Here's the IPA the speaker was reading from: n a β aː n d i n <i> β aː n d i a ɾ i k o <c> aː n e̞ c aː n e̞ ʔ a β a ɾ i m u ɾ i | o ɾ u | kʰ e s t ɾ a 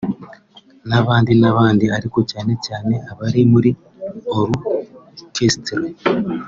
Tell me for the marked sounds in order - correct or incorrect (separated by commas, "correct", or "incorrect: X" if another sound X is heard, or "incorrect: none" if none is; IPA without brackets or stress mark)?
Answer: incorrect: a, correct